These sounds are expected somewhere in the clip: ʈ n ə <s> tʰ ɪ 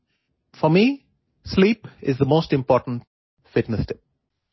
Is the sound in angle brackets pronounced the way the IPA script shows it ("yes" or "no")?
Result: yes